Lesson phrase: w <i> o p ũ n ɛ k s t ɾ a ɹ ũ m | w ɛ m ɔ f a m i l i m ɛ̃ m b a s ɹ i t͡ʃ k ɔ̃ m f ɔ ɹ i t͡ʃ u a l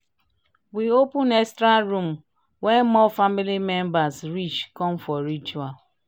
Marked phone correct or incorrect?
correct